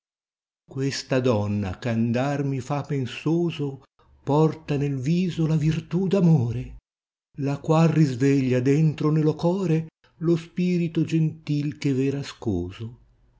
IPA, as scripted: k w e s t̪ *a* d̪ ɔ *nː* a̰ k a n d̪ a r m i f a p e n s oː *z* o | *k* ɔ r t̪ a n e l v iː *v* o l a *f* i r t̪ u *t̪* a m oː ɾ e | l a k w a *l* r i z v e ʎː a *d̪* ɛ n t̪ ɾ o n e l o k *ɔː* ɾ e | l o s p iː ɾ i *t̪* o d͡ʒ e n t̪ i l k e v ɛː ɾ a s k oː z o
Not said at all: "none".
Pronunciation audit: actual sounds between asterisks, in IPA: a, nː, z, p, z, v, d̪, l, d̪, ɔː, t̪

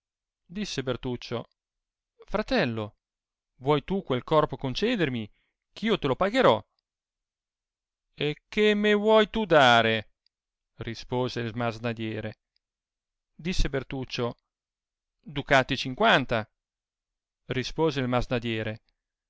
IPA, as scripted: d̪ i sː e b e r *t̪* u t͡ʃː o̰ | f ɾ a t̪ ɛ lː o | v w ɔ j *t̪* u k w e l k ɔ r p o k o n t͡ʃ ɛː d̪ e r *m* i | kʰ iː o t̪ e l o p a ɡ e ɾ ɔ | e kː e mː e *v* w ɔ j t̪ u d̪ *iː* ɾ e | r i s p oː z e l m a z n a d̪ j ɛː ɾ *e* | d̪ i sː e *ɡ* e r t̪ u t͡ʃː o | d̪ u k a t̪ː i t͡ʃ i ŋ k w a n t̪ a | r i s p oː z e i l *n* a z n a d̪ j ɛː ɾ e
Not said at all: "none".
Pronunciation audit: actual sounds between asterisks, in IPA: t̪, t̪, m, v, aː, e, b, m

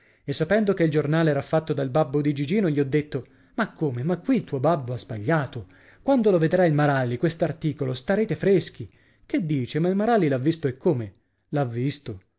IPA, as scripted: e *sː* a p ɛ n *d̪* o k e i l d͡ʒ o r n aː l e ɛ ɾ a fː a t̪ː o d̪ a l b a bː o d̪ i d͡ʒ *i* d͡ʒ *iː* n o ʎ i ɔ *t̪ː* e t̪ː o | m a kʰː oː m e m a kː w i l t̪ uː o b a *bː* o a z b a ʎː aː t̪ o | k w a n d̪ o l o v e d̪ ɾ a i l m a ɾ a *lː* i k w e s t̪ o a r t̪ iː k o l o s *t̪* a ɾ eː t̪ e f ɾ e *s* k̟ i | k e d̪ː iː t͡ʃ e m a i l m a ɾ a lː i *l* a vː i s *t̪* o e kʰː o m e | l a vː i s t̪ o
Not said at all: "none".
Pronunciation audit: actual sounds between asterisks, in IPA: sː, d̪, i, iː, d̪ː, bː, lː, t̪, s, l, t̪

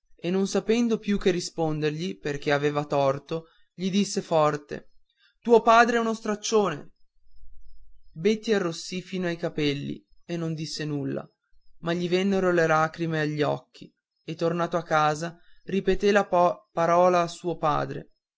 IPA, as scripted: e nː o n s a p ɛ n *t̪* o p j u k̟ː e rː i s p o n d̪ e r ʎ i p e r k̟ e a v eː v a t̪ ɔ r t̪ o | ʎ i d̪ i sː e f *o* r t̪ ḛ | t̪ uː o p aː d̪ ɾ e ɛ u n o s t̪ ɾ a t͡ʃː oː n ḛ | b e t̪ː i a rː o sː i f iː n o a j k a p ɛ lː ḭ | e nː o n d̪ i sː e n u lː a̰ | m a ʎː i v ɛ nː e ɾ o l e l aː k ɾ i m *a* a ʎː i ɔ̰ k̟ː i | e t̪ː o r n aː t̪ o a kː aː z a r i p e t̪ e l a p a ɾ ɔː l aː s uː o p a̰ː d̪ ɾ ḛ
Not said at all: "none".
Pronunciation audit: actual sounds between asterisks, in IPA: d̪, ɔ, e

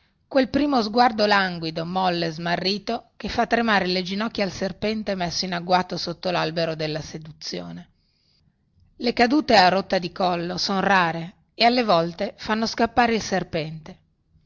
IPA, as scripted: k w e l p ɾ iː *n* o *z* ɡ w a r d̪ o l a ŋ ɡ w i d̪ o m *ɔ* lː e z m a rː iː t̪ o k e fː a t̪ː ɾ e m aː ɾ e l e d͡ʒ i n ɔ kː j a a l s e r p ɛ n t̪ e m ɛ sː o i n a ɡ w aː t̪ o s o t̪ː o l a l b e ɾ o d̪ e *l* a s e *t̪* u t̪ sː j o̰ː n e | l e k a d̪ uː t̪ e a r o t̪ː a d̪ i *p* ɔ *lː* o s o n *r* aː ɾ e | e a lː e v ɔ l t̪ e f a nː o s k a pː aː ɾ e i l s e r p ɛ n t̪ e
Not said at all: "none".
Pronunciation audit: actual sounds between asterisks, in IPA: m, z, ɔ, lː, d̪, k, lː, r

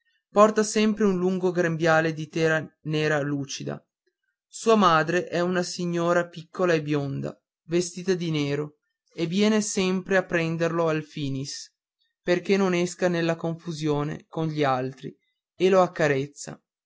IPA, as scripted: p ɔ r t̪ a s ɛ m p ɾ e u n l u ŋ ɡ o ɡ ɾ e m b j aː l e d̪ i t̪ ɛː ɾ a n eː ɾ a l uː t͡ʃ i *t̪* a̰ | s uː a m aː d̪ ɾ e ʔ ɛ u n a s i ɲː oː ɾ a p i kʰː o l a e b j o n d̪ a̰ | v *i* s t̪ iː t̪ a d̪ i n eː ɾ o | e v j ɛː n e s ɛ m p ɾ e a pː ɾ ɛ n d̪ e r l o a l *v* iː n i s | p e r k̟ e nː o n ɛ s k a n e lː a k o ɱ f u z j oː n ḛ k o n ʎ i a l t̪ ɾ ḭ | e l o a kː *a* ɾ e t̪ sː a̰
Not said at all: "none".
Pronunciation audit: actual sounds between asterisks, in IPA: d̪, e, f, a

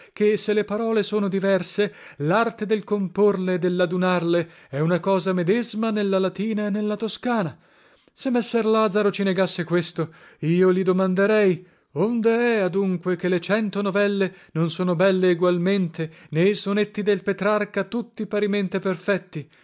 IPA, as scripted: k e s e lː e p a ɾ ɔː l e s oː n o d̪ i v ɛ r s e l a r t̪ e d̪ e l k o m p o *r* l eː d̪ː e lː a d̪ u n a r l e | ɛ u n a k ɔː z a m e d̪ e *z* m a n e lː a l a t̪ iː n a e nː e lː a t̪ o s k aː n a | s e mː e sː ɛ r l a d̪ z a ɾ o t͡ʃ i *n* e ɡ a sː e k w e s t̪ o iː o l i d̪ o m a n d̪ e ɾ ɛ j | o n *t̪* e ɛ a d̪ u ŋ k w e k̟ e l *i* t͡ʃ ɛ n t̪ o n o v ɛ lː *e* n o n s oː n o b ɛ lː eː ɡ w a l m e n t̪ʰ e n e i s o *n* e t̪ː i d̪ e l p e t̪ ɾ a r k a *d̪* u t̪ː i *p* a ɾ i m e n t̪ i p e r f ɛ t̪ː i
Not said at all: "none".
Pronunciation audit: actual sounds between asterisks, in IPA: r, z, n, d̪, e, e, n, t̪, p

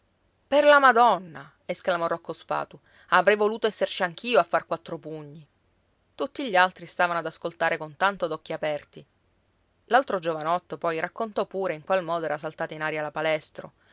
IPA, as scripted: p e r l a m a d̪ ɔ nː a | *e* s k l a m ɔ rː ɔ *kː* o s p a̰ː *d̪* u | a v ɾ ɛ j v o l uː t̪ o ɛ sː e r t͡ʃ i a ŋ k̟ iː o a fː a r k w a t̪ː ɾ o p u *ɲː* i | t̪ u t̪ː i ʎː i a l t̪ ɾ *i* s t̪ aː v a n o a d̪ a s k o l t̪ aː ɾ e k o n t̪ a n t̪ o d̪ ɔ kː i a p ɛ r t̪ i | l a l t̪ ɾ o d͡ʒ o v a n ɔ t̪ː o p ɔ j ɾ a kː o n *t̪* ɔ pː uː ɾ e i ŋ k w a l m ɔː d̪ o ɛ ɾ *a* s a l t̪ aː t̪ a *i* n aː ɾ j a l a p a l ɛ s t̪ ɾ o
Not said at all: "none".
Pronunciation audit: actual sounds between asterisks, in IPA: e, kː, t̪, ɲː, i, t̪, a, i

